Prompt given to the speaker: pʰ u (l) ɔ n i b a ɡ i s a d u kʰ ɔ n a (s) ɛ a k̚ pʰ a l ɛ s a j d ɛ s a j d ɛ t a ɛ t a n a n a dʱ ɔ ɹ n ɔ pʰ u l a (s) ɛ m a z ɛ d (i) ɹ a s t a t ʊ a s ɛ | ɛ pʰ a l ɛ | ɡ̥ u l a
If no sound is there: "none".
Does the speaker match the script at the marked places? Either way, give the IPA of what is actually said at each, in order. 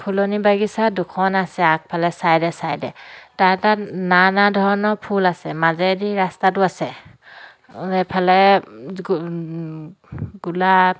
l, s, s, i

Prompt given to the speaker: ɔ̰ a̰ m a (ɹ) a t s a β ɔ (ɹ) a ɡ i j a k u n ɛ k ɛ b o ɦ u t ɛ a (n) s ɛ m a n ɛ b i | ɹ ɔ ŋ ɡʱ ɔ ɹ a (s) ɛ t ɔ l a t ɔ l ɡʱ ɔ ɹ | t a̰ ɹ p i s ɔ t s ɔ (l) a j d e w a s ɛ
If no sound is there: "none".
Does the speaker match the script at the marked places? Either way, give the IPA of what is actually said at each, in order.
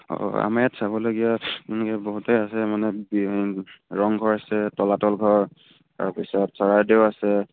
none, l, none, s, ɹ

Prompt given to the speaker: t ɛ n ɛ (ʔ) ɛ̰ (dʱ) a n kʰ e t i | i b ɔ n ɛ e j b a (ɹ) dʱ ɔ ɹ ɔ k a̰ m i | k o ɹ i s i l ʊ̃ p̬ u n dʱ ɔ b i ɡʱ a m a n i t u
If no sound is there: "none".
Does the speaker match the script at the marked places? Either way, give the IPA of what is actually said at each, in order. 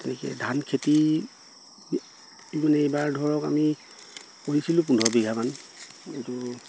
k, dʱ, ɹ

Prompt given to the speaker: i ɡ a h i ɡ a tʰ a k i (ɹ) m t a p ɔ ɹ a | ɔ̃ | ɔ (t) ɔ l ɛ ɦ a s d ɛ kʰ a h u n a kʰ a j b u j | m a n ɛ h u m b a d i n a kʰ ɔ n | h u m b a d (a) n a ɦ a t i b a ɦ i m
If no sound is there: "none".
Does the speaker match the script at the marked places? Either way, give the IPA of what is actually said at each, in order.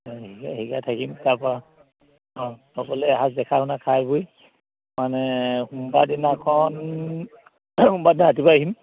none, k, i

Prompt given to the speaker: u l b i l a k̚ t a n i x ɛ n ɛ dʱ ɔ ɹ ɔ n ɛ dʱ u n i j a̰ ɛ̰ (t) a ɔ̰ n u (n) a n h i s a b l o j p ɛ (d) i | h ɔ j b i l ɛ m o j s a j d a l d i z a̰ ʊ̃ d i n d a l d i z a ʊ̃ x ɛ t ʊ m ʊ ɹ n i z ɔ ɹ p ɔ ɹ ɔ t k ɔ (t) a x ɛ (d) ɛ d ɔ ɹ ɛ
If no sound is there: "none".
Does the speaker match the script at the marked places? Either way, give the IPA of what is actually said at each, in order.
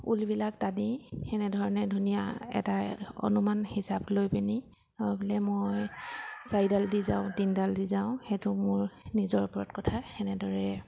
t, m, n, tʰ, n

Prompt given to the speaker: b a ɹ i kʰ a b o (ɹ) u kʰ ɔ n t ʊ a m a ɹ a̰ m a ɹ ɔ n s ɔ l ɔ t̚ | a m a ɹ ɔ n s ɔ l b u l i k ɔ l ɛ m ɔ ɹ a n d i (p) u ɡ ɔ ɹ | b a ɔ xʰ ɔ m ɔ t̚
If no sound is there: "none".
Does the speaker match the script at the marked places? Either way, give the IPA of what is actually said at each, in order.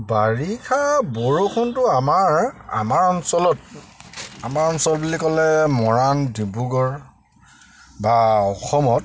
ɹ, b

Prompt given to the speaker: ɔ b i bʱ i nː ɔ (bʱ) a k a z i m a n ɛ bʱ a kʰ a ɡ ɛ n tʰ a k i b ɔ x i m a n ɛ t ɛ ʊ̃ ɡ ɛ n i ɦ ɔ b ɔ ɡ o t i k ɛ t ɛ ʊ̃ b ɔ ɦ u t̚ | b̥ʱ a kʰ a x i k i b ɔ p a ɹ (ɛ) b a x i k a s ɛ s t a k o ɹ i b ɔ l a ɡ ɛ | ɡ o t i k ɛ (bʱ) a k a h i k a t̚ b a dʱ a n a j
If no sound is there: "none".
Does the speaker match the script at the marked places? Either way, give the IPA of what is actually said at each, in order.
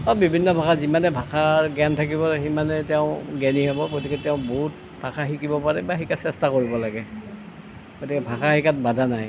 bʱ, ɛ, bʱ

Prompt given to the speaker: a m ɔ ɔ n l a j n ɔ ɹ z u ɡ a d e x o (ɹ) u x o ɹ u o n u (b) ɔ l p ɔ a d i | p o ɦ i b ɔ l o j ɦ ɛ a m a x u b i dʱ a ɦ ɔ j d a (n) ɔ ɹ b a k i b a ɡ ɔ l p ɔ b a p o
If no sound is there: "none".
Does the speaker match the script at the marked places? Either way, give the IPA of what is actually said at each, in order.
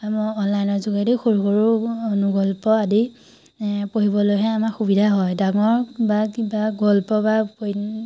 ɹ, ɡ, ŋ

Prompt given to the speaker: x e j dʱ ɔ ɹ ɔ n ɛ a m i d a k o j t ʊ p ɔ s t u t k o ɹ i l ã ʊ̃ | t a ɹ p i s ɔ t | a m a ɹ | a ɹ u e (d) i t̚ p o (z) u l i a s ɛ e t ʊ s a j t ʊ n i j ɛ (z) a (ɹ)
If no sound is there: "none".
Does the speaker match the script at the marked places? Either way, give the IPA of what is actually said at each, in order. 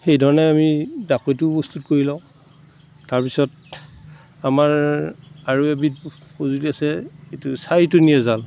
b, z, z, l

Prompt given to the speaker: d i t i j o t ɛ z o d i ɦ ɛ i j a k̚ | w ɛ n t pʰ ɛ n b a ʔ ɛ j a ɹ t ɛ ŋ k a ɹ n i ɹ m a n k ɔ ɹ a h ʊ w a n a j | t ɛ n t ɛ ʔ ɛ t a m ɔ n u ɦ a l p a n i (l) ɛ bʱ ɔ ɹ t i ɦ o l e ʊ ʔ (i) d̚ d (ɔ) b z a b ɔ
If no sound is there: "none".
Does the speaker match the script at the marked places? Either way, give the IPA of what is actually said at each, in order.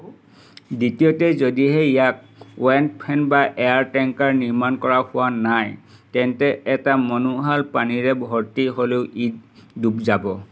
ɹ, i, u

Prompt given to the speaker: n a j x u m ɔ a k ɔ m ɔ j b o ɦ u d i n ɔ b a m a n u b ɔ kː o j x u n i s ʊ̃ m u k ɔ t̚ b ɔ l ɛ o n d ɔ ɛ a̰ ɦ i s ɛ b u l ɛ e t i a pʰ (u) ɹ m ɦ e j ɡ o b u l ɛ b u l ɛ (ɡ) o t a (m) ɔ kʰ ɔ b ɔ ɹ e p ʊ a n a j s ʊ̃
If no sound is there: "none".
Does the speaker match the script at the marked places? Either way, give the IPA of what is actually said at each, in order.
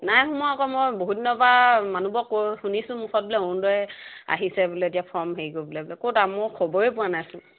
ɔ, k, m

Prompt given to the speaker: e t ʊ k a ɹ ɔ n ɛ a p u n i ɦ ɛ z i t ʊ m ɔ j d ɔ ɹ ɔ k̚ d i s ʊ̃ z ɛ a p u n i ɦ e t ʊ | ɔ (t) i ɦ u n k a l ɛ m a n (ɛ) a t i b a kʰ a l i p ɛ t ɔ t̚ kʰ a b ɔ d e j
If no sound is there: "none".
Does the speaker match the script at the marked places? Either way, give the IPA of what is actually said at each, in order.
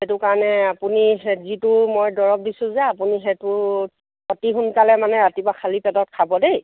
t, ɛ

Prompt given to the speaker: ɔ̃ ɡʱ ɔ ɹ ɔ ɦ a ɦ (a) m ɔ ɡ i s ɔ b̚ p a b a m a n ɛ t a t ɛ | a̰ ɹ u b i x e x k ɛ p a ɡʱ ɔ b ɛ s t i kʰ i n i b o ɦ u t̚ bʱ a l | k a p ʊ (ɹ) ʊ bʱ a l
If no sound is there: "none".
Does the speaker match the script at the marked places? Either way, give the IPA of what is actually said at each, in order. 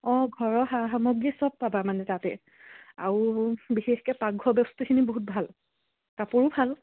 a, ɹ

